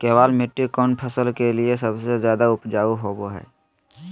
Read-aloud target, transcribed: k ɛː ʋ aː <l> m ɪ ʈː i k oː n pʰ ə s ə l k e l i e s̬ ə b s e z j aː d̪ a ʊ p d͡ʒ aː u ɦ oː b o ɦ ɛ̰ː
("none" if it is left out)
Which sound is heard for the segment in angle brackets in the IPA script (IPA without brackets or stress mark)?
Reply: l